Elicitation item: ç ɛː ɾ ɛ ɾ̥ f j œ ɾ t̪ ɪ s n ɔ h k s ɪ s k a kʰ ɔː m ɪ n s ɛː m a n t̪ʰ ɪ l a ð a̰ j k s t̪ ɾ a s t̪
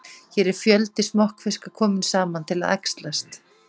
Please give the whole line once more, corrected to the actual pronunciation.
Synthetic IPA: ç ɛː ɾ ɛ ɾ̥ f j œ l t̪ ɪ s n ɔ h k f ɪ s k a kʰ ɔː m ɪ n s aː m a n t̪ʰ ɪ l a ð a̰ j k s t̪ l a s t̪